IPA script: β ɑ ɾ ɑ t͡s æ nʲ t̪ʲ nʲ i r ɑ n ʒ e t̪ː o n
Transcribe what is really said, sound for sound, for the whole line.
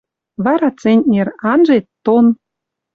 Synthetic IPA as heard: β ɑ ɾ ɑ t͡s e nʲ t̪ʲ nʲ e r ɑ n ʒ e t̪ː o n

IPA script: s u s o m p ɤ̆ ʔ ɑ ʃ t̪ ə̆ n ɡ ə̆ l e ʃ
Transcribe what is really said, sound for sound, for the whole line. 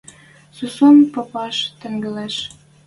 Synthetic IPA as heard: s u s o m p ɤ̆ p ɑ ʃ t̪ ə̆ ŋ ɡ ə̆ l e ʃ

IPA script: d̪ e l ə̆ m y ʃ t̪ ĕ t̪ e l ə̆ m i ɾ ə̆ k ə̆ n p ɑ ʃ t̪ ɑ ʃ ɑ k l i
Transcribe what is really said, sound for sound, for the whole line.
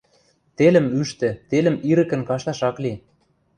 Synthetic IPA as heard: t̪ e l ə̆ m y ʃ t̪ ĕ t̪ e l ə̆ m i ɾ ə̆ k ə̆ n k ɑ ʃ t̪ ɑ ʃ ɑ k l i

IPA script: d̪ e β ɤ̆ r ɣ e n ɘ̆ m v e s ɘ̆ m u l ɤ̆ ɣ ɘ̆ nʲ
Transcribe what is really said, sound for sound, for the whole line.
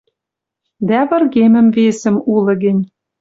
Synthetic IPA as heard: d̪ æ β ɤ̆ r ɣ e m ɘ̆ m v e s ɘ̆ m u l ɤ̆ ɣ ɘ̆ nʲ

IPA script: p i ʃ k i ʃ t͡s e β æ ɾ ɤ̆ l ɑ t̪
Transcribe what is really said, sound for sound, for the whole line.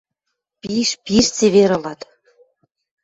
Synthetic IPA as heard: p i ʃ p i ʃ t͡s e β e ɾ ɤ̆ l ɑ t̪

